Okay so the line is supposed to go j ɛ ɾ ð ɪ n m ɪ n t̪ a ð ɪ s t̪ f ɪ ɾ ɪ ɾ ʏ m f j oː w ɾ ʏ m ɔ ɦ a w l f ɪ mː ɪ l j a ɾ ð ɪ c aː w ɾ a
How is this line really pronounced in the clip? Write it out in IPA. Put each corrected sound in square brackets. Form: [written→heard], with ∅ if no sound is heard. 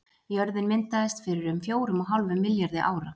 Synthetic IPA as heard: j [ɛ→œ] ɾ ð ɪ n m ɪ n t̪ a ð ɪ s t̪ f ɪ ɾ ɪ ɾ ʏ m f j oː w ɾ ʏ m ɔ ɦ a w l [f→v] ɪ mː ɪ l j a ɾ ð ɪ [c→ʔ] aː w ɾ a